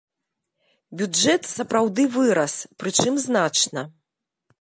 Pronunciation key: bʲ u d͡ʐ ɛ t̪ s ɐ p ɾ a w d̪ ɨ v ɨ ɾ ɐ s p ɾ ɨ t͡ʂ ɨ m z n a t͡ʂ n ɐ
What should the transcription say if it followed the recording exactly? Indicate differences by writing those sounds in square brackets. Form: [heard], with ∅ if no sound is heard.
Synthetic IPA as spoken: bʲ u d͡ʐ ɛ t̪ s ɐ p ɾ a w d̪ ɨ v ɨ ɾ ɐ s p ɾ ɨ t͡ʂ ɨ m z n a t͡ʂ n ɐ